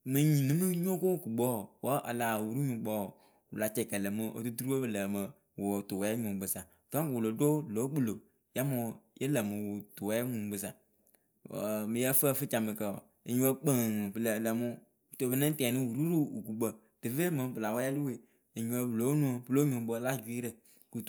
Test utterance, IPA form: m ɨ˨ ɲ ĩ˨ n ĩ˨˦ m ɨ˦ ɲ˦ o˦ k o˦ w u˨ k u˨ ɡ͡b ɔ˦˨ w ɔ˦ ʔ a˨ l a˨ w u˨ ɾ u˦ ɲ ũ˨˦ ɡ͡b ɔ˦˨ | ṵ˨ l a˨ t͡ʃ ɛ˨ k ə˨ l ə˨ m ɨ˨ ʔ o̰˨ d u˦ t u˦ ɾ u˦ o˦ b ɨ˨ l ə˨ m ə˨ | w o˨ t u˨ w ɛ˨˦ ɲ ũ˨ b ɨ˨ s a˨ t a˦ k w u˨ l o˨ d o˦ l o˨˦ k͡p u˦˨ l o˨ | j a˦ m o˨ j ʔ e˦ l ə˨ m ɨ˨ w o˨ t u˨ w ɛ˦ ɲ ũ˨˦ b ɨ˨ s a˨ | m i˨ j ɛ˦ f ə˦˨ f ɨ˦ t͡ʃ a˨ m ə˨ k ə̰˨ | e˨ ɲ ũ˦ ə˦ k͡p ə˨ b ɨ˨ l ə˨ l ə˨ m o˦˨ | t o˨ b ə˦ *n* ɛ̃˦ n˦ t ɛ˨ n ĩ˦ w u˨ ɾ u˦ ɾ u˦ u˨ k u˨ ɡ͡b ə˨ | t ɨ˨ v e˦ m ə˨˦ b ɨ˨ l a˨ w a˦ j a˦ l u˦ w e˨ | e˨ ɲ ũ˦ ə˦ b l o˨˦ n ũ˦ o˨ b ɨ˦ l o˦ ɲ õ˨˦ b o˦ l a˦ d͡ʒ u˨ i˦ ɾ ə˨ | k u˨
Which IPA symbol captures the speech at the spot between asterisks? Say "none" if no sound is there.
n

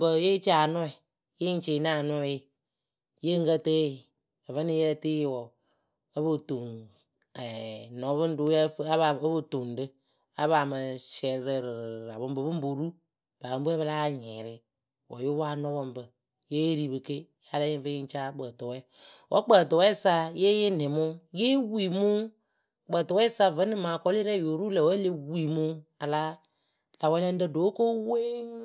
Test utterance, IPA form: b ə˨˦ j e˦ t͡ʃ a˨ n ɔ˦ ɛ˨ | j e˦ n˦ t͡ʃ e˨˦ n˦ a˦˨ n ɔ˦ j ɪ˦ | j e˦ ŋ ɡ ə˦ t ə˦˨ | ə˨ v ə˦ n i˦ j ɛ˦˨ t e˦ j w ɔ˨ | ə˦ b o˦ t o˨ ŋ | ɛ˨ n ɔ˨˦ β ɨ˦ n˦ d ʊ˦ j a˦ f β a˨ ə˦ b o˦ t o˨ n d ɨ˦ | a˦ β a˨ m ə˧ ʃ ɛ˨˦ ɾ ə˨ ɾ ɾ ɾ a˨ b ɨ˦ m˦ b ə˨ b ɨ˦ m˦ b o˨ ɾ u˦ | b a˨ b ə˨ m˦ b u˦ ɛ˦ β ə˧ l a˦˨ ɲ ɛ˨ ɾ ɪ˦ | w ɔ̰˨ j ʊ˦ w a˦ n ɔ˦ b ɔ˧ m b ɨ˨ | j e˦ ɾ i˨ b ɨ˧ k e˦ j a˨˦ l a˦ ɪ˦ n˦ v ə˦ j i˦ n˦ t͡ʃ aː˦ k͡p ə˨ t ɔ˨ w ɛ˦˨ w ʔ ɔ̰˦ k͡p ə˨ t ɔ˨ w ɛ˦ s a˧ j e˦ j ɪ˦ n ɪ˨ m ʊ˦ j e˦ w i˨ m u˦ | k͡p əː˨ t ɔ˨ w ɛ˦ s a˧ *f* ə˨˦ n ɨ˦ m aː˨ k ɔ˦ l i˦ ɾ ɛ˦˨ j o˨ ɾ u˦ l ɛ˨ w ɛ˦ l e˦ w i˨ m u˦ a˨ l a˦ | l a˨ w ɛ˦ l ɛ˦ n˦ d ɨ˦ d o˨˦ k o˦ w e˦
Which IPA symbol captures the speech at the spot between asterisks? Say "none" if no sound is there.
v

